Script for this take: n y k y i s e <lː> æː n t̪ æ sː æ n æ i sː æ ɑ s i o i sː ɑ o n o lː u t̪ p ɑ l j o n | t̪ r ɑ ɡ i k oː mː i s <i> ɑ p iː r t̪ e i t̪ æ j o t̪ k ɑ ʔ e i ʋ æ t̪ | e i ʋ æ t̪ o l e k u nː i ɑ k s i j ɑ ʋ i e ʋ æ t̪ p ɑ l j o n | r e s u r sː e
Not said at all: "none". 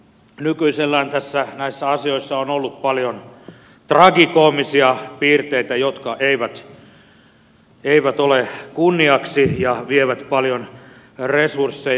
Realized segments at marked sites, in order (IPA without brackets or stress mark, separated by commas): lː, i